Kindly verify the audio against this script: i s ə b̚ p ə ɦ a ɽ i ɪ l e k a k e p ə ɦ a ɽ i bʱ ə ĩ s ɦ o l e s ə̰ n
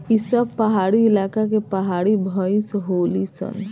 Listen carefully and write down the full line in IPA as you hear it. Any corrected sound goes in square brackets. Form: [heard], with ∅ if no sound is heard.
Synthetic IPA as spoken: i s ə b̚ p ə ɦ a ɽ i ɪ l [a] k a k e p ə ɦ a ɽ i bʱ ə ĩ s ɦ o l [i] s ə̰ n